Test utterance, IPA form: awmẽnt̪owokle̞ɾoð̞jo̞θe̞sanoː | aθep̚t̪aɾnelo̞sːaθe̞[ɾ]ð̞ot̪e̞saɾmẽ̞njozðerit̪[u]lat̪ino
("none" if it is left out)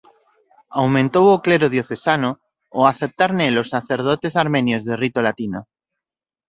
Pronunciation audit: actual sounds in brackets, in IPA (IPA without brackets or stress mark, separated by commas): ɾ, o